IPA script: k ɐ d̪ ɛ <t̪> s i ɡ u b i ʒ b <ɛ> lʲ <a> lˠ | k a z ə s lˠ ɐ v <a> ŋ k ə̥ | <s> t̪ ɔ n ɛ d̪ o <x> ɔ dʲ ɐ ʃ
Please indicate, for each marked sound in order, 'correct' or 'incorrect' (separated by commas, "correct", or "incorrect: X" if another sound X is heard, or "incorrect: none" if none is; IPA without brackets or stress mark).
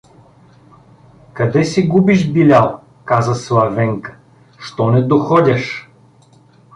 incorrect: none, incorrect: i, correct, incorrect: ɛ, incorrect: ʃ, correct